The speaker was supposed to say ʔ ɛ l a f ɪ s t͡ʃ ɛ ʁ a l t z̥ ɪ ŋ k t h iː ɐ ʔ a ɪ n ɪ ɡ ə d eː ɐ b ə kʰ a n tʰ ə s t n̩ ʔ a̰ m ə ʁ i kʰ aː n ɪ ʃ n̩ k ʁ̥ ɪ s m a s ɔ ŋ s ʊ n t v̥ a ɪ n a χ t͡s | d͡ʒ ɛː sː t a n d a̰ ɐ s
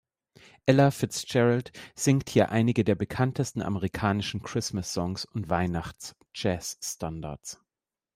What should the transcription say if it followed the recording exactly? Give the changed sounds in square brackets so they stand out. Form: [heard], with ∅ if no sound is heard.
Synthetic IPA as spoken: ʔ ɛ l a f ɪ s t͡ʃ ɛ ʁ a l t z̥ ɪ ŋ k t h iː ɐ ʔ a ɪ n ɪ ɡ ə d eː ɐ b ə kʰ a n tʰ ə s t n̩ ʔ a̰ m ə ʁ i kʰ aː n ɪ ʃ n̩ k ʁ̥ ɪ s m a s ɔ ŋ s ʊ n t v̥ a ɪ n a χ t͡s | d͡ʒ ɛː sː t a n d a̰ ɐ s

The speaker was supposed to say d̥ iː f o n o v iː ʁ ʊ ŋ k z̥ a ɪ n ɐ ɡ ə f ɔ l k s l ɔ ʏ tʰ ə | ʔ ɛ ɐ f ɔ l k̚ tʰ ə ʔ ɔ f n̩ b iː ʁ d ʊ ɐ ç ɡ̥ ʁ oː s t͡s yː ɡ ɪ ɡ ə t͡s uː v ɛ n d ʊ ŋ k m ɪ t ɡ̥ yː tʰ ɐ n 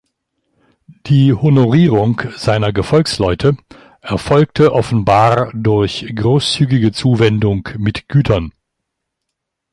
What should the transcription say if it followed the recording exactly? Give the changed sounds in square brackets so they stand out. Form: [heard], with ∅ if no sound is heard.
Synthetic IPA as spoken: d̥ iː [h] o n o [ʁ] iː ʁ ʊ ŋ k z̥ a ɪ n ɐ ɡ ə f ɔ l k s l ɔ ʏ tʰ ə | ʔ ɛ ɐ f ɔ l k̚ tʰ ə ʔ ɔ f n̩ b [aː] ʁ d ʊ ɐ ç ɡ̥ ʁ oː s t͡s yː ɡ ɪ ɡ ə t͡s uː v ɛ n d ʊ ŋ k m ɪ t ɡ̥ yː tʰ ɐ n

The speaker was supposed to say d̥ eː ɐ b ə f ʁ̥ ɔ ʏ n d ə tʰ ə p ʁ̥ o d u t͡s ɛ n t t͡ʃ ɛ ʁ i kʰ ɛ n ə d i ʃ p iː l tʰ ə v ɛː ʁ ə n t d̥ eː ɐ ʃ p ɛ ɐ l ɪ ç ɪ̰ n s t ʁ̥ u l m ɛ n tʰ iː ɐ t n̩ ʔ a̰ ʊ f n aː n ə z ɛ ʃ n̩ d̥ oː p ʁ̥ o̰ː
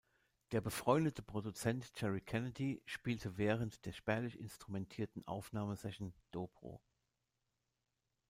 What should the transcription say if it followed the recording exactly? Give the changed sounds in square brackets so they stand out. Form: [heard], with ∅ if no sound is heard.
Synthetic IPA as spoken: d̥ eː ɐ b ə f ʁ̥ ɔ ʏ n d ə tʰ ə p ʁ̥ o d u t͡s ɛ n t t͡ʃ ɛ ʁ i kʰ ɛ n ə d i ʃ p iː l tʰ ə v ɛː ʁ ə n t d̥ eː ɐ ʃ p ɛ ɐ l ɪ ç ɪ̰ n s t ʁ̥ u [∅] m ɛ n tʰ iː ɐ t n̩ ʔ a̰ ʊ f n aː [m] ə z ɛ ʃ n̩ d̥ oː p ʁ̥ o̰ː

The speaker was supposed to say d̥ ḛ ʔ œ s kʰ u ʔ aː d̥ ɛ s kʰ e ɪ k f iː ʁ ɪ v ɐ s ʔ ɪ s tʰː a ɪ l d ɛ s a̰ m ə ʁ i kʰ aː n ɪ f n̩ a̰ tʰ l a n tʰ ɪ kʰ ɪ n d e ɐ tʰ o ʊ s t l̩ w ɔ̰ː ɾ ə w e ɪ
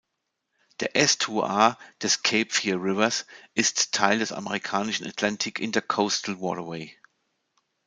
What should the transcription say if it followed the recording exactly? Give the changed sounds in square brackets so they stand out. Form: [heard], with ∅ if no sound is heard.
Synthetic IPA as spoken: d̥ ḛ ʔ [ɛ] s [tʰ] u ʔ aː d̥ ɛ s kʰ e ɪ [p] f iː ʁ ɪ v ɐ s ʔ ɪ s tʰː a ɪ l d ɛ s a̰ m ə ʁ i kʰ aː n ɪ [ʃ] n̩ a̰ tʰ l a n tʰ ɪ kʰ ɪ n d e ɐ [kʰ] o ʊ s t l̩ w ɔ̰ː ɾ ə w e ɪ

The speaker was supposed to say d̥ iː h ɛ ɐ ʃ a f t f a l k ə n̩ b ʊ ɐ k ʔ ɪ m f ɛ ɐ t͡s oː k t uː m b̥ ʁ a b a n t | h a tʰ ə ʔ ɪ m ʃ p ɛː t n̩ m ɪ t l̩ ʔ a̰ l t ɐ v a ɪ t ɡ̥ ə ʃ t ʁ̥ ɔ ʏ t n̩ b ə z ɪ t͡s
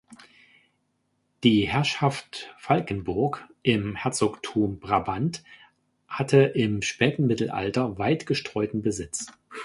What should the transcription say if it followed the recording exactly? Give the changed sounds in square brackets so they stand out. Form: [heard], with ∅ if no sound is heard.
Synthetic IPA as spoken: d̥ iː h ɛ ɐ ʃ a f t f a l k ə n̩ b ʊ ɐ k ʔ ɪ m [h] ɛ ɐ t͡s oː k [tʰ] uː m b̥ ʁ a b a n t | h a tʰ ə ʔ ɪ m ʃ p ɛː t n̩ m ɪ t l̩ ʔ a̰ l t ɐ v a ɪ t ɡ̥ ə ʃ t ʁ̥ ɔ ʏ t n̩ b ə z ɪ t͡s

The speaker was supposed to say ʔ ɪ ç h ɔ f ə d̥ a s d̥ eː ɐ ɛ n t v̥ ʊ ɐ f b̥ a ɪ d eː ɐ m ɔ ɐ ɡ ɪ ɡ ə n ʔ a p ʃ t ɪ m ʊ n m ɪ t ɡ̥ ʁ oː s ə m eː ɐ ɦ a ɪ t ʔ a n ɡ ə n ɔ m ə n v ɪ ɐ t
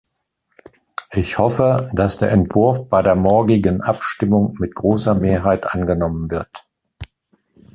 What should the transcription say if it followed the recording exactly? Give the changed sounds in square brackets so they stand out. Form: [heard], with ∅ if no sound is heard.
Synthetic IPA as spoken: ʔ ɪ ç h ɔ f ə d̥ a s d̥ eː ɐ ɛ n t v̥ ʊ ɐ f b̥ a ɪ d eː ɐ m ɔ ɐ ɡ ɪ ɡ ə n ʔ a p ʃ t ɪ m ʊ [ŋ] m ɪ t ɡ̥ ʁ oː s [ɐ] m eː ɐ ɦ a ɪ t ʔ a n ɡ ə n ɔ m ə n v ɪ ɐ t

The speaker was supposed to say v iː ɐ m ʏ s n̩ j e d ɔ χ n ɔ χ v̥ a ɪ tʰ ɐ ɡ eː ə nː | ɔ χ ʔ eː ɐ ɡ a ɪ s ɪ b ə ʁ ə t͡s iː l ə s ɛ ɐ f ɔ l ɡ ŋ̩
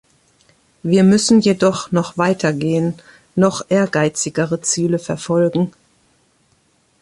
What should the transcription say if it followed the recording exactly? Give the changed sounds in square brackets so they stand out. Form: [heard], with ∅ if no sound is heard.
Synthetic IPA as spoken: v iː ɐ m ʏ s n̩ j e d ɔ χ n ɔ χ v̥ a ɪ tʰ ɐ ɡ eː ə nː | ɔ χ ʔ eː ɐ ɡ a ɪ [t͡s] ɪ [ɡ] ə ʁ ə t͡s iː l ə [f] ɛ ɐ f ɔ l ɡ ŋ̩

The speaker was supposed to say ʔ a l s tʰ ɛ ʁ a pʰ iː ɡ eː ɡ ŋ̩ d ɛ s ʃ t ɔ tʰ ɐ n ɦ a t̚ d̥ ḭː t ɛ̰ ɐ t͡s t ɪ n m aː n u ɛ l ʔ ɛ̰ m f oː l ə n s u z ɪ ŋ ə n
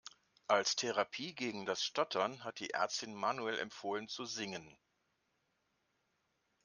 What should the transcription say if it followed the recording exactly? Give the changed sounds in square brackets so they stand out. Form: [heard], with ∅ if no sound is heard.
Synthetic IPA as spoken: ʔ a l s tʰ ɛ ʁ a pʰ iː ɡ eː ɡ ŋ̩ d [a] s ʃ t ɔ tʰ ɐ n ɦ a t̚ d̥ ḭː [ʔ] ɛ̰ ɐ t͡s t ɪ n m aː n u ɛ l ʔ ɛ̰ m f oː l ə n [t͡s] u z ɪ ŋ ə n

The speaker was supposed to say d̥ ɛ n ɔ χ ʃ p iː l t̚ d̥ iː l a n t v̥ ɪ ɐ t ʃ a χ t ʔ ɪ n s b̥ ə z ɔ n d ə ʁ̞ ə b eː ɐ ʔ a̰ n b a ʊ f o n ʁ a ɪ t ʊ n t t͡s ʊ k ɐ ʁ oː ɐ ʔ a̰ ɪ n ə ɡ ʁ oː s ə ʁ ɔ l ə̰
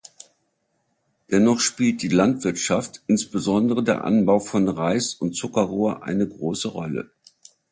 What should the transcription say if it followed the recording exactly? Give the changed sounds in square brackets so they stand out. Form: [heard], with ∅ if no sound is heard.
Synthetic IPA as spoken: d̥ ɛ n ɔ χ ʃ p iː l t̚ d̥ iː l a n t v̥ ɪ ɐ t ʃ a [f] t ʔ ɪ n s b̥ ə z ɔ n d ə ʁ̞ ə [d] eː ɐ ʔ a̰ n b a ʊ f [ɔ] n ʁ a ɪ [s] ʊ n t t͡s ʊ k ɐ ʁ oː ɐ ʔ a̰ ɪ n ə ɡ ʁ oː s ə ʁ ɔ l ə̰

